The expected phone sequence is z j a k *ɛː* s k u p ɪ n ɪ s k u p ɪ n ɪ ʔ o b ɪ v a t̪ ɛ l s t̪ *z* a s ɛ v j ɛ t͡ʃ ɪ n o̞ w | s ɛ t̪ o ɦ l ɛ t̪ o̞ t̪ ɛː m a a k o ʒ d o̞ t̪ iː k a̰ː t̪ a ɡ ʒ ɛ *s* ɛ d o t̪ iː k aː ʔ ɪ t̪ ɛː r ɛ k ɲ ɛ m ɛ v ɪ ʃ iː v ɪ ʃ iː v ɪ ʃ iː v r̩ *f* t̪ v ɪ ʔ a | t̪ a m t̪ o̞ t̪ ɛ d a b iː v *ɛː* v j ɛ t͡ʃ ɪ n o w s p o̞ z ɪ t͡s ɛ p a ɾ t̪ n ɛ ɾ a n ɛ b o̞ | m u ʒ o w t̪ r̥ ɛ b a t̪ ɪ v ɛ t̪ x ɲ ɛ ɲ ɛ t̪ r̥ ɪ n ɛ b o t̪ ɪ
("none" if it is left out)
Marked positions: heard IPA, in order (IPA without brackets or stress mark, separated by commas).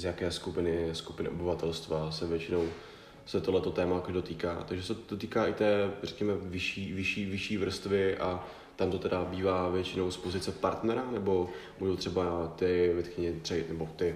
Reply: ɛː, v, s, s, aː